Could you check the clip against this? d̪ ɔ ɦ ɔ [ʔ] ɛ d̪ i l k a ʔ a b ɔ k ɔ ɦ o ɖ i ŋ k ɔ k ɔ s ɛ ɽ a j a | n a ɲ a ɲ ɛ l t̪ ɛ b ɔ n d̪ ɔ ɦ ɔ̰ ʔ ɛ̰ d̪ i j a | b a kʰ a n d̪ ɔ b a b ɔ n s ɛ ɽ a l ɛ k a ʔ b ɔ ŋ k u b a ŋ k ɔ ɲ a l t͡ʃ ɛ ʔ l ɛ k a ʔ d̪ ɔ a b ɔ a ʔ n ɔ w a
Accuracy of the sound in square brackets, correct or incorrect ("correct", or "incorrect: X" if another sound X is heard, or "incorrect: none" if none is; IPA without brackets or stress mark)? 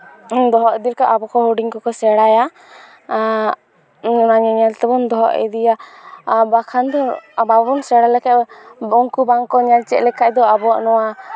correct